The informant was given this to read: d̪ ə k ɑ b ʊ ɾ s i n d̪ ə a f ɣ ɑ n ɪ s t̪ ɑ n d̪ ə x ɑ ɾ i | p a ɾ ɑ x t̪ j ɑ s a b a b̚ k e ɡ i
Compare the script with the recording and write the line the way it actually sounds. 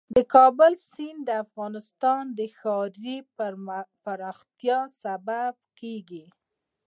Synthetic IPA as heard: d̪ ə k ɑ b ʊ l s i n d̪ ə a f ɣ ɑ n ɪ s t̪ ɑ n d̪ ə x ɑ ɾ i | p a ɾ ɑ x t̪ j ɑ s a b a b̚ k e ɡ i